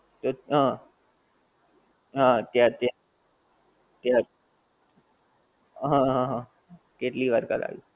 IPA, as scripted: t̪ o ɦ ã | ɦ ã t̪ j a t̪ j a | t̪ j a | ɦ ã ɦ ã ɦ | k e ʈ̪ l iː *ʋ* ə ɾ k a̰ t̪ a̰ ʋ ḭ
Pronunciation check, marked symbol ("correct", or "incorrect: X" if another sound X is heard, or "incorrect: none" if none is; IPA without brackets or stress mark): correct